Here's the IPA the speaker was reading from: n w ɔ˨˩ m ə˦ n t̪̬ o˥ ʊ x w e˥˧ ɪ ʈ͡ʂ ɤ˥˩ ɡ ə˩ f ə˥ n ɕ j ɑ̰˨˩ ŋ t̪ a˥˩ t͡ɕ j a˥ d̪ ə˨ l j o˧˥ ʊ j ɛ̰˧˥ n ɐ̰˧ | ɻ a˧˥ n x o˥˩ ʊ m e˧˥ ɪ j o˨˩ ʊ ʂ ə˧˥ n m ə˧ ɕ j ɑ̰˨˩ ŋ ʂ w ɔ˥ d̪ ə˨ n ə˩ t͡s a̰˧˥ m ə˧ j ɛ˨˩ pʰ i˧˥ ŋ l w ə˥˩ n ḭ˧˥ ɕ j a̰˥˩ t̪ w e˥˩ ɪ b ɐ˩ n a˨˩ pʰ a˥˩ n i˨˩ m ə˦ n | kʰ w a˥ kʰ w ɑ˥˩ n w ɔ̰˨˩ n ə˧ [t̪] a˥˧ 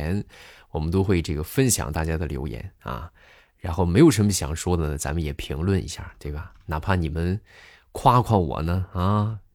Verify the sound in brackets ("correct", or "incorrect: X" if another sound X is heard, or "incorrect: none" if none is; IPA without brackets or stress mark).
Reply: incorrect: none